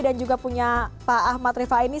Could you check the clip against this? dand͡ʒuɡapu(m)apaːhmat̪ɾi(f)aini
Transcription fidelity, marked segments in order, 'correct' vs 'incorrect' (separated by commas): incorrect, correct